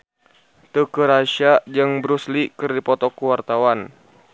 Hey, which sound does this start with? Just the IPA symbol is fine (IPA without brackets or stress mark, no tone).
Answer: t̪